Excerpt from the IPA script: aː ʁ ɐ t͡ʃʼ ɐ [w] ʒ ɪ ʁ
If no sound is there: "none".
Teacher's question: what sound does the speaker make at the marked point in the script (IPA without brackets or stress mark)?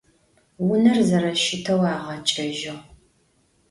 none